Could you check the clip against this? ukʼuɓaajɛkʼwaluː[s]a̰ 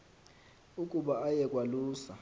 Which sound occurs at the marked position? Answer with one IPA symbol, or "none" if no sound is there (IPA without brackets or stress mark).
s